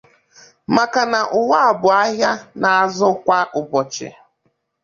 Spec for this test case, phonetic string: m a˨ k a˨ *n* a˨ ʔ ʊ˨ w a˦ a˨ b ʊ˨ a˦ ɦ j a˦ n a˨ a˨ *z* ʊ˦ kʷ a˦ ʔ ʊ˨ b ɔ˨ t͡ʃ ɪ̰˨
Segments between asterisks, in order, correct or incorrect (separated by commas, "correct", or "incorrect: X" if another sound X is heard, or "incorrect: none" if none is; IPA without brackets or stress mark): correct, correct